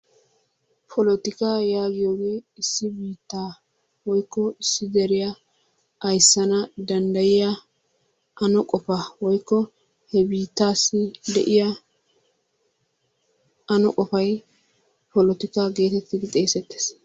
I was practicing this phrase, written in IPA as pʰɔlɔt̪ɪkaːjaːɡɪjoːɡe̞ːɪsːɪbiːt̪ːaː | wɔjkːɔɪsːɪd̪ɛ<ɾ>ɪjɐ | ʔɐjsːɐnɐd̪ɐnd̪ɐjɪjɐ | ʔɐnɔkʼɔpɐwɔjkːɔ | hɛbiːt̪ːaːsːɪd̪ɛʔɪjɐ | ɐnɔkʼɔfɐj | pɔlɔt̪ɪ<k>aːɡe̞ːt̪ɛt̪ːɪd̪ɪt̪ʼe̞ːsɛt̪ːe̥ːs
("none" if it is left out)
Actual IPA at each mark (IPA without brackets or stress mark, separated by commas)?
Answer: ɾ, k